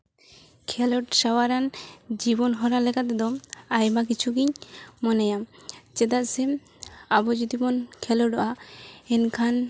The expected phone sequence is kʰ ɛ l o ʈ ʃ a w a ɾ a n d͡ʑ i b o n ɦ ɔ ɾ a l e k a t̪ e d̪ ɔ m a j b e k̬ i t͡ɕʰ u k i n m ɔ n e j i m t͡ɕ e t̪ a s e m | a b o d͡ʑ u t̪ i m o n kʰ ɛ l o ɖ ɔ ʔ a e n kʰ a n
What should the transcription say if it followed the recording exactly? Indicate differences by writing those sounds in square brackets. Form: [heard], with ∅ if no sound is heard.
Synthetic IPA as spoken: kʰ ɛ l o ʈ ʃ a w a ɾ a n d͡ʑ i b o n ɦ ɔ ɾ a l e k a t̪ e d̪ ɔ m a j b [a] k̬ i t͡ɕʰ u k i [ɲ] m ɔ n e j [a] m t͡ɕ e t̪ a s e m | a b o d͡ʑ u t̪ i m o n kʰ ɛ l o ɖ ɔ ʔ a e n kʰ a n